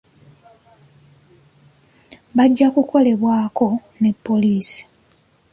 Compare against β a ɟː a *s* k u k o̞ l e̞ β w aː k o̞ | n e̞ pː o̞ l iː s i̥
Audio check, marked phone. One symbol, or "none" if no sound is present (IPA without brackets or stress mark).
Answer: none